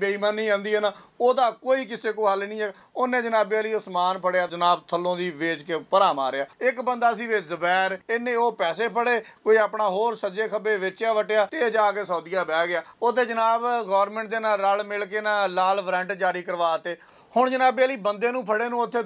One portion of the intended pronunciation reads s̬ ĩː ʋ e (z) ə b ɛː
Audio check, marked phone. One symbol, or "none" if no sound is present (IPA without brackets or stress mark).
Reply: z